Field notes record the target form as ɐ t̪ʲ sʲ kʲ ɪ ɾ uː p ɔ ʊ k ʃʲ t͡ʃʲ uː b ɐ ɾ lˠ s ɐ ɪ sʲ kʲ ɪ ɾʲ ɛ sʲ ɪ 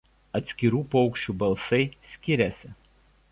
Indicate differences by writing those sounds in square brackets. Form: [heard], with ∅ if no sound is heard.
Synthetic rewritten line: ɐ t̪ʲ sʲ kʲ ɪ ɾ uː p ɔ ʊ k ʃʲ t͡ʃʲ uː b ɐ [∅] lˠ s ɐ ɪ sʲ kʲ ɪ ɾʲ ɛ sʲ ɪ